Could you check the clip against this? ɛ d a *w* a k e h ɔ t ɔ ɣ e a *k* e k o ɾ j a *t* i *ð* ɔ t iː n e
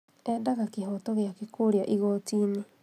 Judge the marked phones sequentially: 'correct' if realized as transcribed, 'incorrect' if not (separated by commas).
incorrect, correct, incorrect, incorrect